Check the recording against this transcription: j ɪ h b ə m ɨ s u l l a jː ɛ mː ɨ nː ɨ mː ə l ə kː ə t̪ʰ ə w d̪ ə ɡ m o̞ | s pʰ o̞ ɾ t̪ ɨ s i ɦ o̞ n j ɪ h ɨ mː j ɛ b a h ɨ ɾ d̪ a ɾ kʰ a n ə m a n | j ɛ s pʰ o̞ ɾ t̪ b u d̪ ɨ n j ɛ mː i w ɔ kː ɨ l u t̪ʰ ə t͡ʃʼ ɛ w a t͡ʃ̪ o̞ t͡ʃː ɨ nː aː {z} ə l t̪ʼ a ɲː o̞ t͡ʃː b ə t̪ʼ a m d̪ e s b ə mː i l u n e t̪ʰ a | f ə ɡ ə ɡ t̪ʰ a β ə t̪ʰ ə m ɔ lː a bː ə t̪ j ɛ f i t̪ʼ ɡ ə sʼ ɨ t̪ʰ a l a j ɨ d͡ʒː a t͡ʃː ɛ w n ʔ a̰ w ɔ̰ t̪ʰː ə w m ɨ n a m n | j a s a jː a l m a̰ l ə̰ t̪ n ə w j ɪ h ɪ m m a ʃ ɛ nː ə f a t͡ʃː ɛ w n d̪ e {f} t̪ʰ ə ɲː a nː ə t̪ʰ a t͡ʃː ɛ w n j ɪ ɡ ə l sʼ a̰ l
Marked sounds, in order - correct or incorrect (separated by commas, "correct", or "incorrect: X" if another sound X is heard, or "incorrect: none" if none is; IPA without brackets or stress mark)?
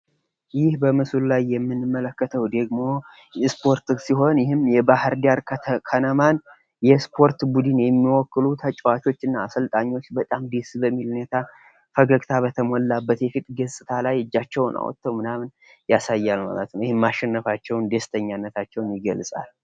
incorrect: s, incorrect: s